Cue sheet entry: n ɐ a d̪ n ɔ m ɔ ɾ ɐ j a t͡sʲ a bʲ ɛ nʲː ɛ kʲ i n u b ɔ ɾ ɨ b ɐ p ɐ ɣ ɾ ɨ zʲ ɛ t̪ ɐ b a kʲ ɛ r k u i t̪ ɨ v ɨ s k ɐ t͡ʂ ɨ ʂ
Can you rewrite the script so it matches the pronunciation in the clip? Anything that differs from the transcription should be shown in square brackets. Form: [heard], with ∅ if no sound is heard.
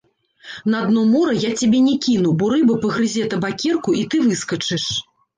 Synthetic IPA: n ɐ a d̪ n ɔ m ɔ ɾ ɐ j a t͡sʲ a bʲ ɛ [nʲ] ɛ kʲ i n u b ɔ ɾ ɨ b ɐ p ɐ ɣ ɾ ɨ zʲ ɛ t̪ ɐ b a kʲ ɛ r k u i t̪ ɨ v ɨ s k ɐ t͡ʂ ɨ ʂ